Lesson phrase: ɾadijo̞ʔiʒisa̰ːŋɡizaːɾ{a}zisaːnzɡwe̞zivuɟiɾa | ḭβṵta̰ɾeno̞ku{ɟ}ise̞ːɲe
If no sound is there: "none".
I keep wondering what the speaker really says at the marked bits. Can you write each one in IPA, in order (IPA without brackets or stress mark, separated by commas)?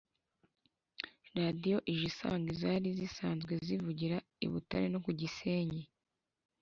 i, ɟ